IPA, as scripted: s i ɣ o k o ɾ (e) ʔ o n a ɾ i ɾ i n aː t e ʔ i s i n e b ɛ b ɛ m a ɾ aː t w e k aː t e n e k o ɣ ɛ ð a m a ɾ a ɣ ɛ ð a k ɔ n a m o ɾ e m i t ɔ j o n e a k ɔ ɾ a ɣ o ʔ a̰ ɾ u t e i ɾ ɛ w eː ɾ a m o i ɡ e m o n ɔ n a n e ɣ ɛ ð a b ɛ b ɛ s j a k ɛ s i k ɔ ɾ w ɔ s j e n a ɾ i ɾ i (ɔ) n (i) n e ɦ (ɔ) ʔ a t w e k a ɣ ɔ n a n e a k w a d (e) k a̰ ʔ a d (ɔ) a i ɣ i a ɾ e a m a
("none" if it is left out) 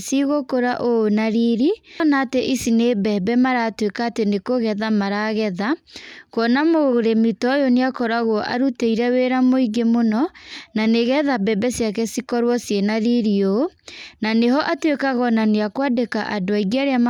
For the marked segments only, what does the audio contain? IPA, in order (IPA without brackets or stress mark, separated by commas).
a, o, a, ɔ, e, o